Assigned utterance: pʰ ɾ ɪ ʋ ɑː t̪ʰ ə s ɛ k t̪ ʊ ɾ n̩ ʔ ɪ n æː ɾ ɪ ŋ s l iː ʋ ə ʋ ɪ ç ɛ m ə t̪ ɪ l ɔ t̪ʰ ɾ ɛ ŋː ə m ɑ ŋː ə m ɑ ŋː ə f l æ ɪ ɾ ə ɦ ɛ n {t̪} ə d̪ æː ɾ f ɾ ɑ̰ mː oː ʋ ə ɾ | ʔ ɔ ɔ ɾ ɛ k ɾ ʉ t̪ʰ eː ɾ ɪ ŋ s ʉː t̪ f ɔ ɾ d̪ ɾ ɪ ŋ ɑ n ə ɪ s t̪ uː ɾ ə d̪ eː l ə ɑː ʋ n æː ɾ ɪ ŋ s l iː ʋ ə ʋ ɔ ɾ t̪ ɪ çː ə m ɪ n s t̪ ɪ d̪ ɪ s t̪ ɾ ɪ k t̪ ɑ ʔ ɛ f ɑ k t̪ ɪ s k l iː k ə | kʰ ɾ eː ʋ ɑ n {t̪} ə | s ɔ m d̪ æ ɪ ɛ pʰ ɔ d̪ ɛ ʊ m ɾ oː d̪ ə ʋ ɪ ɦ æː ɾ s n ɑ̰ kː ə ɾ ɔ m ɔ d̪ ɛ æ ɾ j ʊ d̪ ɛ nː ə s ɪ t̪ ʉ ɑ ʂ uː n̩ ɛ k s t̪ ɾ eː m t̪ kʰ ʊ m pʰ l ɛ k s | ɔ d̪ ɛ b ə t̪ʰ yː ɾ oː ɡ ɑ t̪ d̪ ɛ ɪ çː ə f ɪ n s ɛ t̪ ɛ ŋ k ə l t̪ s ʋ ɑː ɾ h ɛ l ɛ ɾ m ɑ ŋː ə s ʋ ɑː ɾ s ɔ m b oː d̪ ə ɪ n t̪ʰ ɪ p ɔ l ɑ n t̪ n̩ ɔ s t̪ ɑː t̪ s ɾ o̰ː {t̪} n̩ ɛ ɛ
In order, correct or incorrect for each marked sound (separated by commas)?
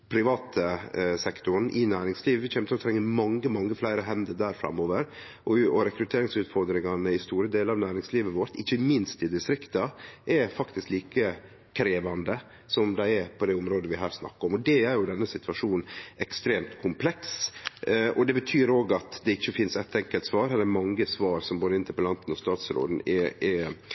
incorrect, incorrect, incorrect